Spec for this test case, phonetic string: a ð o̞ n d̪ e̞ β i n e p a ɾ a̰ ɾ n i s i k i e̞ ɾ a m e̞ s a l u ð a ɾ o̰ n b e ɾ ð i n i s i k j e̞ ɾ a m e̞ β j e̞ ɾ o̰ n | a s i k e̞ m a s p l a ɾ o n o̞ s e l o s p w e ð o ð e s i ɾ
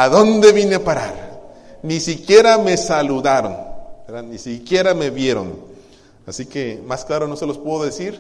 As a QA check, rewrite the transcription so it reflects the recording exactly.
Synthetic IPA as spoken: a ð o̞ n d̪ e̞ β i n e p a ɾ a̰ ɾ n i s i k j e̞ ɾ a m e̞ s a l u ð a ɾ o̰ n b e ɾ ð a n i s i k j e̞ ɾ a m e̞ β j e̞ ɾ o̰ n | a s i k e̞ m a s k l a ɾ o n o̞ s e l o s p w e ð o ð e s i ɾ